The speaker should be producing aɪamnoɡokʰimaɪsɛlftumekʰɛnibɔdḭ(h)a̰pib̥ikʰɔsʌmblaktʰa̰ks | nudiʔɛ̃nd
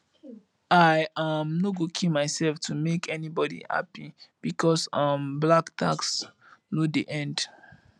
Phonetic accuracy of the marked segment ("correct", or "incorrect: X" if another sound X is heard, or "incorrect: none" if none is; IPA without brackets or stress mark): correct